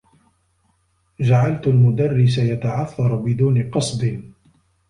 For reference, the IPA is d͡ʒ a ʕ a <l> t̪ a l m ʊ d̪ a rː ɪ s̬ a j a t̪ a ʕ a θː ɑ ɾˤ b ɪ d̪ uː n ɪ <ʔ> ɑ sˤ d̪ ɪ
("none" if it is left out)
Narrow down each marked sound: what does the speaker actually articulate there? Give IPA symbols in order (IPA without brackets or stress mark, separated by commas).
l, q